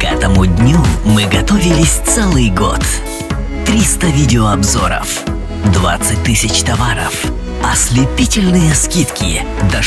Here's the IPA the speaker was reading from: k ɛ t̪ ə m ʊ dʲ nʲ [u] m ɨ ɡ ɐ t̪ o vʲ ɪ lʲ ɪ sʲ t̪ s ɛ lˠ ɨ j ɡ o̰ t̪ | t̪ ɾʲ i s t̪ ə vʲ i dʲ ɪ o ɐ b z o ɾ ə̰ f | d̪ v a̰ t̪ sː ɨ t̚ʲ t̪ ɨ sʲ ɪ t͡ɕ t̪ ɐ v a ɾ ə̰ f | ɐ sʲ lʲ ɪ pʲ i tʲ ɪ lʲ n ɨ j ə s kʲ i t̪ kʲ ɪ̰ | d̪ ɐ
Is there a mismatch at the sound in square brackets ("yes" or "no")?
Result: no